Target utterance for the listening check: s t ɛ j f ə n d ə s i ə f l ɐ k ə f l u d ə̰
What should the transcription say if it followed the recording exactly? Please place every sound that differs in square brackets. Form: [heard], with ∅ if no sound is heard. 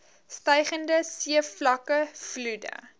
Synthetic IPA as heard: s t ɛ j [χ] ə n d ə s i ə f l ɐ k ə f l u d ə̰